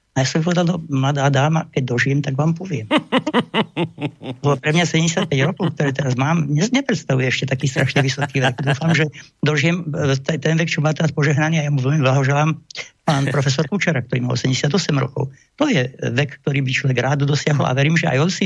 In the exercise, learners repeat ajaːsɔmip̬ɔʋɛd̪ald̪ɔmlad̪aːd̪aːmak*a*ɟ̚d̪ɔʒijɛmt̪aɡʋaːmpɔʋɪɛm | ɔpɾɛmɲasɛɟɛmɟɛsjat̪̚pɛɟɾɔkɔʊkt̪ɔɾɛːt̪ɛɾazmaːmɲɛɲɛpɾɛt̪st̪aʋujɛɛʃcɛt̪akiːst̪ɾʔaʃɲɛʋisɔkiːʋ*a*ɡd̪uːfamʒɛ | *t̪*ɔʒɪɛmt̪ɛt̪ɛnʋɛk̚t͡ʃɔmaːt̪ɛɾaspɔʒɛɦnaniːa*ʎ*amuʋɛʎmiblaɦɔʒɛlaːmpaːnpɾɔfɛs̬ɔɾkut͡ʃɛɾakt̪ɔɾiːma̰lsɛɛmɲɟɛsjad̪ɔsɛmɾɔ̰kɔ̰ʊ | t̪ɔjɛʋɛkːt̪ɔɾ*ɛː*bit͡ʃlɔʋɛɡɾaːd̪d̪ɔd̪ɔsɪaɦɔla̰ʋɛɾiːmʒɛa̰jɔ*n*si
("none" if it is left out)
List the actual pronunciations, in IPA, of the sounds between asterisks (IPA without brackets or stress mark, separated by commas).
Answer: ɛ, ɛ, d̪, j, iː, n